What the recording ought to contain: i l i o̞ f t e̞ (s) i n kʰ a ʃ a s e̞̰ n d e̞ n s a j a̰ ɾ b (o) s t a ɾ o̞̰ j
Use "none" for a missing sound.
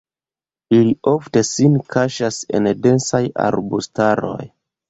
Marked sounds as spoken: s, u

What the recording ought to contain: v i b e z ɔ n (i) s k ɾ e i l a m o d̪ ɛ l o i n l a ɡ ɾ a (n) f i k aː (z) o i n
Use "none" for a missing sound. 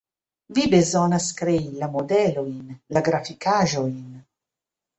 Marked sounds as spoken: a, none, ʒ

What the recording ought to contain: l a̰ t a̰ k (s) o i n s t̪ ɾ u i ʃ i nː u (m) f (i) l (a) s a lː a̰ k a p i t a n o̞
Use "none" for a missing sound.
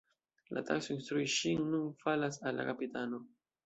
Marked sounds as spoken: s, n, a, a

